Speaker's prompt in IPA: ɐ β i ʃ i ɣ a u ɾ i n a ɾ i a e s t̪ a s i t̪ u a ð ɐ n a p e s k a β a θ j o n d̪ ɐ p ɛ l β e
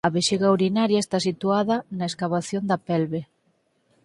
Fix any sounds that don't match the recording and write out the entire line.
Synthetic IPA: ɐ β e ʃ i ɣ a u ɾ i n a ɾ j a e s t̪ a s i t̪ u a ð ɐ n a e s k a β a θ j o n d̪ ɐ p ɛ l β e